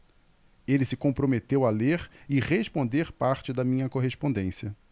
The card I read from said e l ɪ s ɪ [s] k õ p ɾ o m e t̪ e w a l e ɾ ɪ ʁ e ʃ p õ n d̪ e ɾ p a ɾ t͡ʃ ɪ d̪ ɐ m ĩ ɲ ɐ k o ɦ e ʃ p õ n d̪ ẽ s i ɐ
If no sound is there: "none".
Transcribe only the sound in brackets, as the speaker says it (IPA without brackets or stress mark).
none